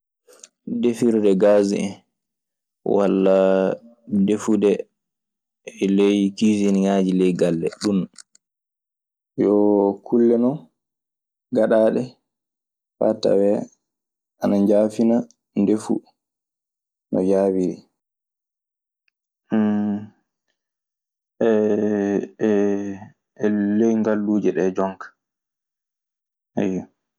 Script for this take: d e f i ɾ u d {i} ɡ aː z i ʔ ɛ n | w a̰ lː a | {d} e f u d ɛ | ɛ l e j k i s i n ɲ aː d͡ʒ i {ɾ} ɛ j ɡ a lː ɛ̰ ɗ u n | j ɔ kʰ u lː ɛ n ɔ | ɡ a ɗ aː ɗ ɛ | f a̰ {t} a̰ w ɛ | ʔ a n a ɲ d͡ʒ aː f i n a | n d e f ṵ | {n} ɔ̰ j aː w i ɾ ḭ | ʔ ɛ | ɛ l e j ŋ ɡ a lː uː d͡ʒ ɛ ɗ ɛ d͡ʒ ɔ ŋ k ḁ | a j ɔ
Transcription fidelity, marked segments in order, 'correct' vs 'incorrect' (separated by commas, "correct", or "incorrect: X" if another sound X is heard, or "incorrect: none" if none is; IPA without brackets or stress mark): incorrect: ɛ, correct, incorrect: l, correct, correct